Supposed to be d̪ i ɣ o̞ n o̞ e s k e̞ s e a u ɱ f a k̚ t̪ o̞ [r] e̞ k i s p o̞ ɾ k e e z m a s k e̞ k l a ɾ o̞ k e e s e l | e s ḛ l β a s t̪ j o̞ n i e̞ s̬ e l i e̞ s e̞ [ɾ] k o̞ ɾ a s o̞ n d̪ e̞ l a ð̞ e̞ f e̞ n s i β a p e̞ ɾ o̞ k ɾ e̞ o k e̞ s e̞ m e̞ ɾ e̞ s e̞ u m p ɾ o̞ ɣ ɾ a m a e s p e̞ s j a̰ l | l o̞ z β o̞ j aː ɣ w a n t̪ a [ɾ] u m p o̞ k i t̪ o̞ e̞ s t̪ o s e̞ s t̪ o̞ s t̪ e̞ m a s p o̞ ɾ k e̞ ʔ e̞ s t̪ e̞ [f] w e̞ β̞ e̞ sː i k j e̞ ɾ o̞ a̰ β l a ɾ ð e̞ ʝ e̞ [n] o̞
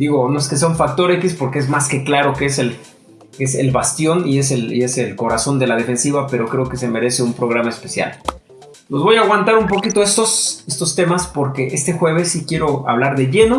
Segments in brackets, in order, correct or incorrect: incorrect, incorrect, correct, incorrect, correct

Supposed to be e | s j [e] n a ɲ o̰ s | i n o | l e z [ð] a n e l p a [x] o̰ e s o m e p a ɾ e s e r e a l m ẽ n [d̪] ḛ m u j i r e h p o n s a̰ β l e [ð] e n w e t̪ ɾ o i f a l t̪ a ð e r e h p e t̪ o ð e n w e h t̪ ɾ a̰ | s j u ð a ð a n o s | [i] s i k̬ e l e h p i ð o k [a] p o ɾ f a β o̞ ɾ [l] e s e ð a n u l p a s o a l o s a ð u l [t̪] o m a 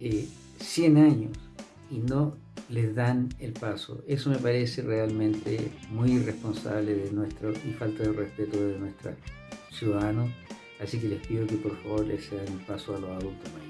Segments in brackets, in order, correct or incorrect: correct, correct, incorrect, incorrect, correct, incorrect, incorrect, correct, correct

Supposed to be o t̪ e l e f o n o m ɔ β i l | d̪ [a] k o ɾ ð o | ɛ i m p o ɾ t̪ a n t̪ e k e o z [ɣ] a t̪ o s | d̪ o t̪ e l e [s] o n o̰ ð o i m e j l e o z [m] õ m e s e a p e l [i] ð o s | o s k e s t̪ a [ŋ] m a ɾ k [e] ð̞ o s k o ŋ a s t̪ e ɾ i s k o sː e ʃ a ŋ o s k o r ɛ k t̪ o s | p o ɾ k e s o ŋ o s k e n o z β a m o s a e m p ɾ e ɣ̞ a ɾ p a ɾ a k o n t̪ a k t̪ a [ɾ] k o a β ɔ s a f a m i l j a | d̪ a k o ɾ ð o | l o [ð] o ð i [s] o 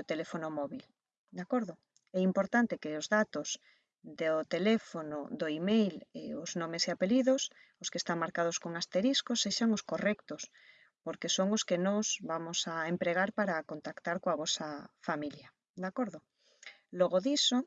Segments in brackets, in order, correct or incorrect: correct, incorrect, incorrect, incorrect, correct, correct, incorrect, correct, incorrect, correct

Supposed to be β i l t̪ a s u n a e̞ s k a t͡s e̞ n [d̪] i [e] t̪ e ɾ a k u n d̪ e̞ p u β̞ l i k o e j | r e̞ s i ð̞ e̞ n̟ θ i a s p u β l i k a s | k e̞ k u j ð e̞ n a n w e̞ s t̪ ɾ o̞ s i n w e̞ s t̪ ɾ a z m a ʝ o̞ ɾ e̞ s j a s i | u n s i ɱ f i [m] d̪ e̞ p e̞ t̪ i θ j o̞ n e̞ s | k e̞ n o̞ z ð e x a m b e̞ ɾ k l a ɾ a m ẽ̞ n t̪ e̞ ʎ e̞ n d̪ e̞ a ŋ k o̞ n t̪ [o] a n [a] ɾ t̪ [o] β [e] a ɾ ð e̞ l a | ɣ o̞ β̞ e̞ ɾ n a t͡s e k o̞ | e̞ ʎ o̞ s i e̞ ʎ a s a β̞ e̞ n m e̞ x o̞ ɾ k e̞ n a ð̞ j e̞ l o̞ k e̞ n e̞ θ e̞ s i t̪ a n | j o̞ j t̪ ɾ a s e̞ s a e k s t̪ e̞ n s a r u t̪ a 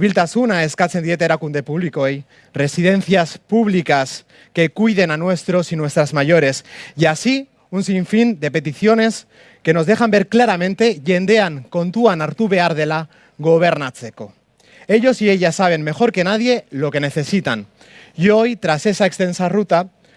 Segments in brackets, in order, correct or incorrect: correct, correct, incorrect, incorrect, correct, incorrect, correct

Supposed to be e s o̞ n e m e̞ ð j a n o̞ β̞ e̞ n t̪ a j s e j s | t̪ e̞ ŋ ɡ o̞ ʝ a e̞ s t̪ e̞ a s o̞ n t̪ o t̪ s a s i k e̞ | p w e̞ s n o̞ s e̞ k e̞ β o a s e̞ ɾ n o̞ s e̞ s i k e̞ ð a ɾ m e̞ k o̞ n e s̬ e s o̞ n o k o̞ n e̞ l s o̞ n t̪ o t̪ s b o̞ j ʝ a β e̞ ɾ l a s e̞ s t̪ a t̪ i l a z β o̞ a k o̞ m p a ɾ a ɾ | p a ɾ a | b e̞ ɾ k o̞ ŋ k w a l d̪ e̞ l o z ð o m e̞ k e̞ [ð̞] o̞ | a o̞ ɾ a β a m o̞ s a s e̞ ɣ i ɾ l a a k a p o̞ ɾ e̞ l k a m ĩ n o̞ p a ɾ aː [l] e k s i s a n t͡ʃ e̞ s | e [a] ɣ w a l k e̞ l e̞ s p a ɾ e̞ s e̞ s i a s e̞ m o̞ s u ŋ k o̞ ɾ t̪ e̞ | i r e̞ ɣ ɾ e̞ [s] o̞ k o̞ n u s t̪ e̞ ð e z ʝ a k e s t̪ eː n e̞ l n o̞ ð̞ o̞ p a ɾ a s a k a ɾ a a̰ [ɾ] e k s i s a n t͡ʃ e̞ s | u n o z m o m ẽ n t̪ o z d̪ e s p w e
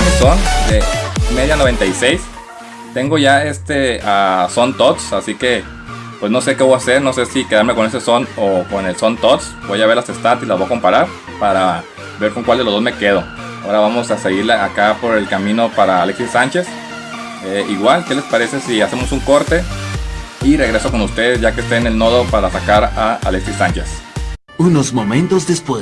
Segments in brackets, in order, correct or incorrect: correct, correct, incorrect, correct, incorrect

